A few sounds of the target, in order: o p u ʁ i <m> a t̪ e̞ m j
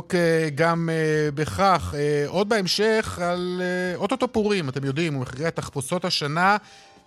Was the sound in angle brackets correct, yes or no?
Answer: yes